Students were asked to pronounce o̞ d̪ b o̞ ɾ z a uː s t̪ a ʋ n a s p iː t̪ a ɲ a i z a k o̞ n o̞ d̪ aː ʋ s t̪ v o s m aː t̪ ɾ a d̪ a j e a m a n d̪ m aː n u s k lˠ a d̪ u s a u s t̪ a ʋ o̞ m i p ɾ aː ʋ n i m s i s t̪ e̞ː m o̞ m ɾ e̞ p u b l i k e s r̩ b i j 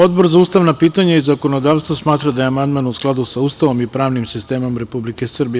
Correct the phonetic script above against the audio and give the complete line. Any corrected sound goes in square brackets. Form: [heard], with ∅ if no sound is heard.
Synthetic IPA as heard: o̞ d̪ b o̞ ɾ z a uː s t̪ a ʋ n a [∅] p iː t̪ a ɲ a i z a k o̞ n o̞ d̪ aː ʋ s t̪ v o s m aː t̪ ɾ a d̪ a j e a m a n d̪ m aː n u s k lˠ a d̪ u s a u s t̪ a ʋ o̞ m i p ɾ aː ʋ n i m s i s t̪ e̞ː m o̞ m ɾ e̞ p u b l i k e s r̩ b i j